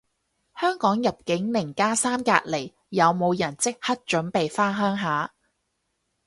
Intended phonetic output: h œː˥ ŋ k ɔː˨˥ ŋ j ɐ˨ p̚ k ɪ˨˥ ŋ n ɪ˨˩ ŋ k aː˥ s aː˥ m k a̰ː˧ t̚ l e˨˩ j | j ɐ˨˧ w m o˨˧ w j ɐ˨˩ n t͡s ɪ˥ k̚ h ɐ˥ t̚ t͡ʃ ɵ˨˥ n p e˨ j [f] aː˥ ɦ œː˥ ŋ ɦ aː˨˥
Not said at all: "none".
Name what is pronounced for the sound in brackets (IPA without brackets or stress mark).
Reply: f